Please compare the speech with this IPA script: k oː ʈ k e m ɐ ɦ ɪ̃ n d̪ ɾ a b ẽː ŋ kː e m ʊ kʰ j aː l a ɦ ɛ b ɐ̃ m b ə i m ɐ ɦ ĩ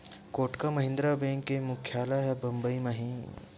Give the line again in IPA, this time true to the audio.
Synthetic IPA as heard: k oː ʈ k a m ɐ ɦ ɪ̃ n d̪ ɾ a b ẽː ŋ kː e m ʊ kʰ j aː l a ɦ ɛ b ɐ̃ m b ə i m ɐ ɦ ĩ